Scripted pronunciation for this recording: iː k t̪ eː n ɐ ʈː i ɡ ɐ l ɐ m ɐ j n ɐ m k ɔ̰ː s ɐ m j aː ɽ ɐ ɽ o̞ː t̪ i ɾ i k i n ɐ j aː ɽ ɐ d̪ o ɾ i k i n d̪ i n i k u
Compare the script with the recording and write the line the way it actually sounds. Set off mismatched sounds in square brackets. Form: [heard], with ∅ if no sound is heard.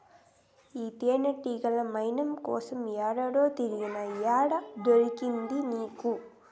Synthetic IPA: iː [∅] t̪ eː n ɐ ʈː i ɡ ɐ l ɐ m ɐ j n ɐ m k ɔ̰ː s ɐ m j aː ɽ ɐ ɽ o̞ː t̪ i ɾ i [ɡ] i n ɐ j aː ɽ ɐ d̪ o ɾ i k i n d̪ i n [iː] k u